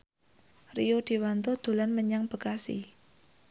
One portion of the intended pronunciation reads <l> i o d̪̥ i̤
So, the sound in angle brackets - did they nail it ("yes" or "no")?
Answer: no